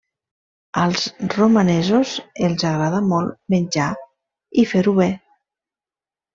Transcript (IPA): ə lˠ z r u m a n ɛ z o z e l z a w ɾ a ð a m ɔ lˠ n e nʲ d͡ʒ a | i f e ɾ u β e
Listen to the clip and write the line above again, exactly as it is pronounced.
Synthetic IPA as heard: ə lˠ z r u m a n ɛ z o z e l z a ɣ ɾ a ð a m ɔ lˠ m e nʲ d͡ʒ a | i f e ɾ u β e